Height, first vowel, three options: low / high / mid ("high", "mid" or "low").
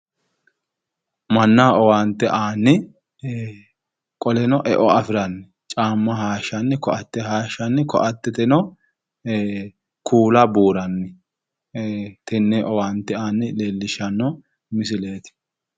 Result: low